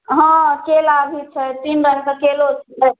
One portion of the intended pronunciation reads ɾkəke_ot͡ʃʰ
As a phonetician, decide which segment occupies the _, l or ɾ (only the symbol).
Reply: l